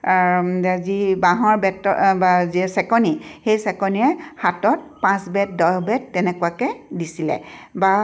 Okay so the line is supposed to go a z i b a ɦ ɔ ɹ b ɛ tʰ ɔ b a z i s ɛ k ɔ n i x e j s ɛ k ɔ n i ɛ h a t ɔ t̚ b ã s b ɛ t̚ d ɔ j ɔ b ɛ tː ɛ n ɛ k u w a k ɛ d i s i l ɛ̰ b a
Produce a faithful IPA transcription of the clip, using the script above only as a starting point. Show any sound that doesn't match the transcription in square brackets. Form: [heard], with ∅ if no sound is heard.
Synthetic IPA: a z i b a ɦ ɔ ɹ b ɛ [t] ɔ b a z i s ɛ k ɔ n i x e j s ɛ k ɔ n i ɛ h a t ɔ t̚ [p] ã s b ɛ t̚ d ɔ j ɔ b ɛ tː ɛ n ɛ k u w a k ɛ d i s i l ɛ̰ b a